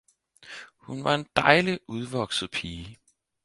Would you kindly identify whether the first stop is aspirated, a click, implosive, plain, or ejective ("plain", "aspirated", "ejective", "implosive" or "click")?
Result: plain